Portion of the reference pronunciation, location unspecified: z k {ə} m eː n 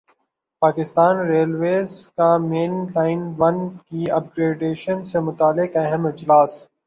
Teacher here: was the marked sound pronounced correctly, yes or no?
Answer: no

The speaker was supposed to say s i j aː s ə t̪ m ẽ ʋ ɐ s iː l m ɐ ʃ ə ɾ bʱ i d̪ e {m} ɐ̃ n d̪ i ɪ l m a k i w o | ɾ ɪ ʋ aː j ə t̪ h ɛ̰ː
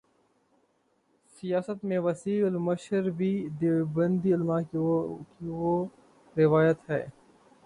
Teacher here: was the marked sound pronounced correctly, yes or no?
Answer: no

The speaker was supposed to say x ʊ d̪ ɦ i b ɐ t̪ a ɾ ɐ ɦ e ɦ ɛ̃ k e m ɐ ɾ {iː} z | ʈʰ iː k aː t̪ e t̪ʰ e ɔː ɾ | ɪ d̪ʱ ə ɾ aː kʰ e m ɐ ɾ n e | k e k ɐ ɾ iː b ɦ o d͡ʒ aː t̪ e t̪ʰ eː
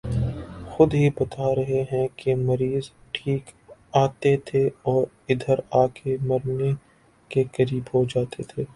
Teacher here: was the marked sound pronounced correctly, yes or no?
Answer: yes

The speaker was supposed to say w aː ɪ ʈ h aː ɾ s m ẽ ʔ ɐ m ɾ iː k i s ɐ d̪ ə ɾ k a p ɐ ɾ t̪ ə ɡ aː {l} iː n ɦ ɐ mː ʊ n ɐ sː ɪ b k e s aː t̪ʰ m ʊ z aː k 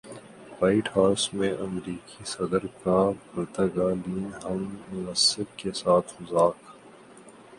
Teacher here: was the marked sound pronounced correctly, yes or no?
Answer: yes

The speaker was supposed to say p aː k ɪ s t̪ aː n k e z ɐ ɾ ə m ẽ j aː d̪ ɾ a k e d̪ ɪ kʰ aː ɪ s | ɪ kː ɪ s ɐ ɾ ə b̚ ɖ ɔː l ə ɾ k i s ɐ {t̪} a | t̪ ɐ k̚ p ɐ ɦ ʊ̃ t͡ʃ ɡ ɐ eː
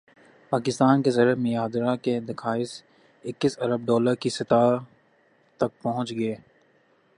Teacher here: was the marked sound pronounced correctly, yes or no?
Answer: yes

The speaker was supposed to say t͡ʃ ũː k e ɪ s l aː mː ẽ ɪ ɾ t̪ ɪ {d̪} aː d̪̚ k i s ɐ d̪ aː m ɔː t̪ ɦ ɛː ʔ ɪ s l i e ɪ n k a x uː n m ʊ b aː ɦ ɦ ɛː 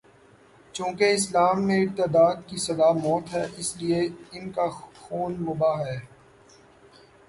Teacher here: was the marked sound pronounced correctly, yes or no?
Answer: yes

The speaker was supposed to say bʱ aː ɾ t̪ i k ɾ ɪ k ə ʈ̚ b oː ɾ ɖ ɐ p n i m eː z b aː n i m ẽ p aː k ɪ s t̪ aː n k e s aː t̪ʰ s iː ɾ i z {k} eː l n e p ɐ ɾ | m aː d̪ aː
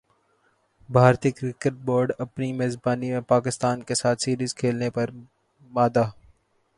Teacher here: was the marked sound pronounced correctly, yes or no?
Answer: no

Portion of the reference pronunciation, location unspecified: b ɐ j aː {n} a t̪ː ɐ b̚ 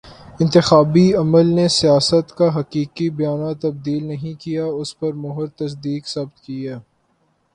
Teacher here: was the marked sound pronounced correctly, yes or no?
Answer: yes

